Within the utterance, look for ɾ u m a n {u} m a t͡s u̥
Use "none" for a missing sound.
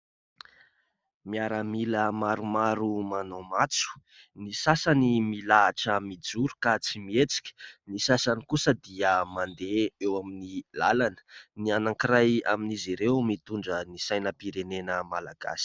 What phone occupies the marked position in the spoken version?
o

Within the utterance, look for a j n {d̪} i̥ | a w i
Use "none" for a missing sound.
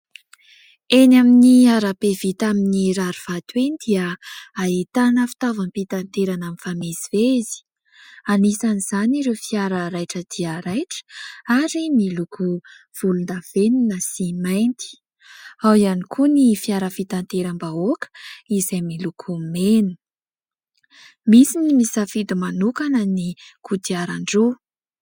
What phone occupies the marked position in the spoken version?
t̪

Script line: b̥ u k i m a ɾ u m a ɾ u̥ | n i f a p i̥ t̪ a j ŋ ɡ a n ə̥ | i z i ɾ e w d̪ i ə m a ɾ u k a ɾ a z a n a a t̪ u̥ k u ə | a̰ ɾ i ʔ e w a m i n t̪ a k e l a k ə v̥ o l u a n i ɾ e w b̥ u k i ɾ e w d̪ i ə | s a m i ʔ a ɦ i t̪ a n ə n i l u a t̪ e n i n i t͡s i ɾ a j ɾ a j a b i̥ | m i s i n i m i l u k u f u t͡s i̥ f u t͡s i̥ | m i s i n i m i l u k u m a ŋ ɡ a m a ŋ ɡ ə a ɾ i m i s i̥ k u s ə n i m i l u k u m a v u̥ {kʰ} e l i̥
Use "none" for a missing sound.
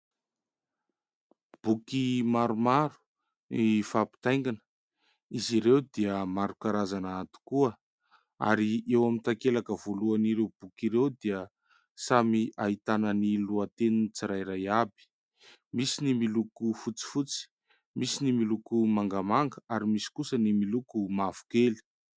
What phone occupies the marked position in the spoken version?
k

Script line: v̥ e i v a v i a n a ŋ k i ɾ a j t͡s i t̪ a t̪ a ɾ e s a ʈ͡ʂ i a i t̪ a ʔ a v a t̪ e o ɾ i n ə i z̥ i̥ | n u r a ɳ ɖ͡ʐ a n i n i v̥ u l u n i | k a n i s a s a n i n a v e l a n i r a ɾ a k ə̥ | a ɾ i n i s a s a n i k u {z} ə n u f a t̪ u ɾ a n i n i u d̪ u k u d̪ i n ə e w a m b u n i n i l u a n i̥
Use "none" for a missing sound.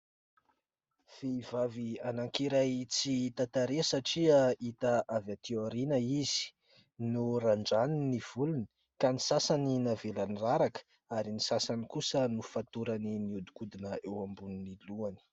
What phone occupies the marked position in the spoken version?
s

